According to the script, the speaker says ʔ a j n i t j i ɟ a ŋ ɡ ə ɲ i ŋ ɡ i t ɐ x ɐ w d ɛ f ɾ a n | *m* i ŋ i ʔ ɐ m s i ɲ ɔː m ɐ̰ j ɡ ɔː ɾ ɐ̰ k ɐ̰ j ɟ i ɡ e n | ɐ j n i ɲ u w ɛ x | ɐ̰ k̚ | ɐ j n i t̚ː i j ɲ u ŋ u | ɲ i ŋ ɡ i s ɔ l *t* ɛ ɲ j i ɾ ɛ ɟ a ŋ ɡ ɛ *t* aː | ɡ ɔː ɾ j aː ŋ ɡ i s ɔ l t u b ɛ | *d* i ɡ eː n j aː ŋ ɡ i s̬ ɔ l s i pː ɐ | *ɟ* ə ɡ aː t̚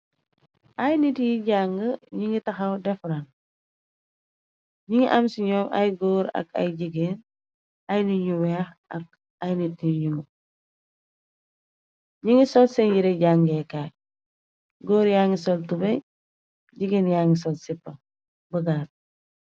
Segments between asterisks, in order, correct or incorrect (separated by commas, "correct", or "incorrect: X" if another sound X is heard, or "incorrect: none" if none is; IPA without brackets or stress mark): incorrect: ɲ, incorrect: s, incorrect: k, incorrect: ɟ, incorrect: b